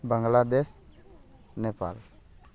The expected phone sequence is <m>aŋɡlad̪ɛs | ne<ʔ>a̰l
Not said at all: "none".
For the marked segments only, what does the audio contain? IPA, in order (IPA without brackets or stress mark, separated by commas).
b, p